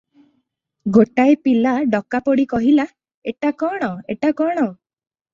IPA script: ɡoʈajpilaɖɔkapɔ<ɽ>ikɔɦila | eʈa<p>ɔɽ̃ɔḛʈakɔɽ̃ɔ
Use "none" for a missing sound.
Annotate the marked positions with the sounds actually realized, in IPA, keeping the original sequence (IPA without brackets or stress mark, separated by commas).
ɽ, k